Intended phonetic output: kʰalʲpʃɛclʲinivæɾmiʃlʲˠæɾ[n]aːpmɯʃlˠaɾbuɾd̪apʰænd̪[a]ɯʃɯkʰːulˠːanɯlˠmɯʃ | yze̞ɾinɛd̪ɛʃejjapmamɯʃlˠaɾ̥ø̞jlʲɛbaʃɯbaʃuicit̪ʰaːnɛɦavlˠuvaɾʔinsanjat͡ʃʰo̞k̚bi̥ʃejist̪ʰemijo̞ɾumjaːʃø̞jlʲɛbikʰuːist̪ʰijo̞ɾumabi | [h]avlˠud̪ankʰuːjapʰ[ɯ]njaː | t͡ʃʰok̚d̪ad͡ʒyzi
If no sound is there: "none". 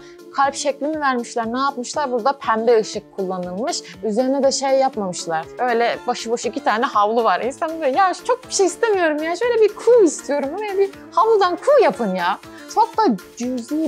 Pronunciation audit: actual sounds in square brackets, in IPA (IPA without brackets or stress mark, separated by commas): n, ɛ, h, ɯ